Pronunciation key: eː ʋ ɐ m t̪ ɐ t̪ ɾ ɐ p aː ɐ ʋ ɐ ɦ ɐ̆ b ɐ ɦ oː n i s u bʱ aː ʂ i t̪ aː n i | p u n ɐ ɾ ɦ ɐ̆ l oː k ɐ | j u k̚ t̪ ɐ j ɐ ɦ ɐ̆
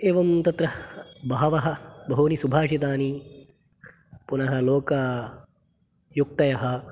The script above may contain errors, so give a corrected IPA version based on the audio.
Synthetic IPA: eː ʋ ɐ m t̪ ɐ t̪ ɾ ɐ b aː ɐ ʋ ɐ ɦ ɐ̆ b ɐ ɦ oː n i s u bʱ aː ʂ i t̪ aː n i | p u n ɐ ɦ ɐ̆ l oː k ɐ | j u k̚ t̪ ɐ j ɐ ɦ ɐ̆